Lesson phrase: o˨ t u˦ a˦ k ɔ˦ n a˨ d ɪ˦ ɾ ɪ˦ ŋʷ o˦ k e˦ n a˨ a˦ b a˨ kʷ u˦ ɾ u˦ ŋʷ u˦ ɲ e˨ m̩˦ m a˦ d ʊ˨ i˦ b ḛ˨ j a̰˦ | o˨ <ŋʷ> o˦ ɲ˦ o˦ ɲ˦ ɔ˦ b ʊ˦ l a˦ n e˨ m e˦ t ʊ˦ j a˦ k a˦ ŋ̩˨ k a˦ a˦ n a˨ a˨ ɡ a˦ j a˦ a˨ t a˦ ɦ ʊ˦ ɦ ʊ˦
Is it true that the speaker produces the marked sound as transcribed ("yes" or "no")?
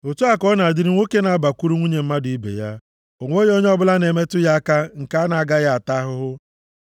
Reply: yes